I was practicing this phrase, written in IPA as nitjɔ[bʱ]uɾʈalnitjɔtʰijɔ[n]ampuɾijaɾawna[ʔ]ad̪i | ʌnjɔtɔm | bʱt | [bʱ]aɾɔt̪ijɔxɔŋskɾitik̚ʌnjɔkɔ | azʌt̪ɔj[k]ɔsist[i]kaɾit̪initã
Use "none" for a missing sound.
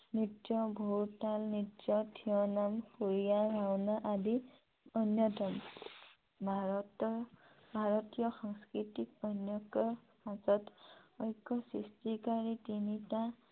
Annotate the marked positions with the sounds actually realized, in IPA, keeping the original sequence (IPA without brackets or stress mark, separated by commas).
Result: bʱ, n, ʔ, bʱ, k, i